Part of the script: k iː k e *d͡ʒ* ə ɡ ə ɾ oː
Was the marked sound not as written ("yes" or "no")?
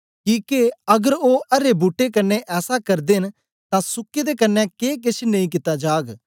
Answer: yes